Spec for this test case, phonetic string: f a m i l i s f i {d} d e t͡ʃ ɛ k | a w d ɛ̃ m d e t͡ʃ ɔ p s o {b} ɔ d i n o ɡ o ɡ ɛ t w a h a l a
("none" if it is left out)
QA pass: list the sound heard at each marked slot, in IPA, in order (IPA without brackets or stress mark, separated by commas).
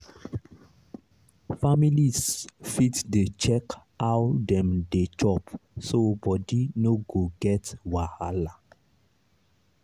t, b